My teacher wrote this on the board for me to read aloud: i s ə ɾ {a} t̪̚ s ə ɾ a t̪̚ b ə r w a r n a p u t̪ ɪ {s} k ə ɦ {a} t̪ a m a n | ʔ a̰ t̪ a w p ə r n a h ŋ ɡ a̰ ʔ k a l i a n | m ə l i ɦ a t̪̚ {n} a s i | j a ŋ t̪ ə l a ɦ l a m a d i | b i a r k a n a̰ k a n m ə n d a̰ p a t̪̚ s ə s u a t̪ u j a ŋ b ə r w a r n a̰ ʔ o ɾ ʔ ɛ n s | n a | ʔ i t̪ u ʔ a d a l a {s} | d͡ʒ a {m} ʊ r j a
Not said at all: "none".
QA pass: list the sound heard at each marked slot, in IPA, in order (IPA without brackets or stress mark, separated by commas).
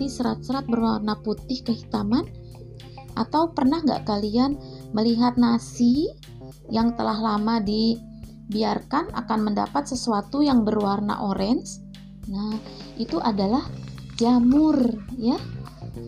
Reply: a, h, i, n, h, m